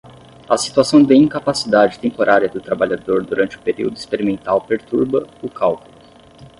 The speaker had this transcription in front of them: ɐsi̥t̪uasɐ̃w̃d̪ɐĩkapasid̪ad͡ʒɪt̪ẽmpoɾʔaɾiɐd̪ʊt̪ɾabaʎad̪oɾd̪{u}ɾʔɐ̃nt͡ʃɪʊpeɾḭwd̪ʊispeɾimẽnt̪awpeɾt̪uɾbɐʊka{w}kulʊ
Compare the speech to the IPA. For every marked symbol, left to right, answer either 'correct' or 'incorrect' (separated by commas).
correct, correct